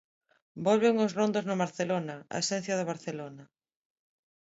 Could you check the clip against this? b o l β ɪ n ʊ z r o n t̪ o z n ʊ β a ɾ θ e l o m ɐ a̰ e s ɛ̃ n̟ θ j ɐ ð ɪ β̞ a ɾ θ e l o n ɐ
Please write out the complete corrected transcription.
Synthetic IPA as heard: b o l β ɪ ŋ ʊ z r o n d̪ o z n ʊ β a ɾ θ e l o n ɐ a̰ e s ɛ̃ n̟ θ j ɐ ð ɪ β̞ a ɾ θ e l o n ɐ